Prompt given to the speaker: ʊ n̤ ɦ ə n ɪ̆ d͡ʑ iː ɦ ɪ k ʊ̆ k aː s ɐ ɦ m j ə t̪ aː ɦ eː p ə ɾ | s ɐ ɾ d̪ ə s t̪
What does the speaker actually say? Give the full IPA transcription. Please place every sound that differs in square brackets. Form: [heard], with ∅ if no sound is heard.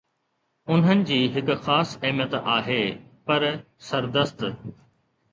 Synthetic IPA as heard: ʊ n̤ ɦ ə n ɪ̆ d͡ʑ iː ɦ ɪ k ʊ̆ [x] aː s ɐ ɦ m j ə t̪ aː ɦ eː p [ɐ] ɾ | s ɐ ɾ d̪ ə s t̪